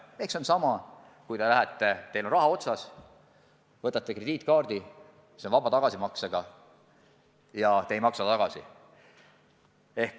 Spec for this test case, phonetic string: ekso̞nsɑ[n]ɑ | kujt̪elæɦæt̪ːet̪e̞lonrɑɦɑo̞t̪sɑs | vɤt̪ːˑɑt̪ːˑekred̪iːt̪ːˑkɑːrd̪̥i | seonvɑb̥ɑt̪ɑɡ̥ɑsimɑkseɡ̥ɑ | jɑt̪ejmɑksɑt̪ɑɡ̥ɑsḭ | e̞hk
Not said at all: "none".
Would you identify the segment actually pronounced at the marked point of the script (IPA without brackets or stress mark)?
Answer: m